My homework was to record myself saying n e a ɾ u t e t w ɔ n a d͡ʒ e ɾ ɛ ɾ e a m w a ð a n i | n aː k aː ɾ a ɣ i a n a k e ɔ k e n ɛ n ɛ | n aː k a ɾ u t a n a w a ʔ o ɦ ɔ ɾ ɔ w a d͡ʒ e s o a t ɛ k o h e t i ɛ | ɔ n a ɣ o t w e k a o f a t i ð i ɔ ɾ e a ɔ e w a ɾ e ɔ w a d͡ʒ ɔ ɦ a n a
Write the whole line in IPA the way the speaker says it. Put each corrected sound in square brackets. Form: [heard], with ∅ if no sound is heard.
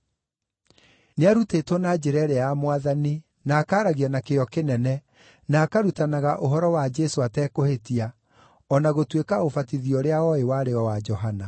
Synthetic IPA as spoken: n e a ɾ u t e t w ɔ n a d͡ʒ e ɾ ɛ ɾ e a m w a ð a n i | n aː k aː ɾ a ɣ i a n a k e ɔ k e n ɛ n ɛ | n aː k a ɾ u t a n a [ɣ] a ʔ o ɦ ɔ ɾ ɔ w a d͡ʒ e s o a t ɛ k o h e t i [a] | ɔ n a ɣ o t w e k a o f a t i ð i ɔ ɾ e a ɔ e w a ɾ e ɔ w a d͡ʒ ɔ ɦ a n a